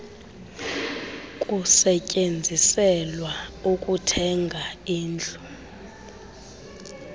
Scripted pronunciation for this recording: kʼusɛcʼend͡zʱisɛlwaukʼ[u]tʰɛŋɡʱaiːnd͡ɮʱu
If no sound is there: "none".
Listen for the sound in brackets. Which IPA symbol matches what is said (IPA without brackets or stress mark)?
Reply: u